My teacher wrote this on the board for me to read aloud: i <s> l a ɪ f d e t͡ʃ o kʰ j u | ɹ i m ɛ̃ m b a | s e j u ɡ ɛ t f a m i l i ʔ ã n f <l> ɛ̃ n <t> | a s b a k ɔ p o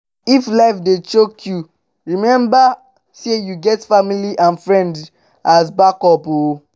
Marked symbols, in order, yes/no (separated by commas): no, no, no